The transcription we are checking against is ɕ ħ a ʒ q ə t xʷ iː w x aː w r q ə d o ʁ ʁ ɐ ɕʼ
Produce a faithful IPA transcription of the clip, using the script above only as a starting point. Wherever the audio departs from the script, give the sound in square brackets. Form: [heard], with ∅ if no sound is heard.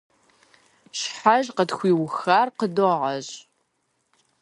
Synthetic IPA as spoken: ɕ ħ a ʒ q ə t xʷ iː w x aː [∅] r q ə d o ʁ ʁ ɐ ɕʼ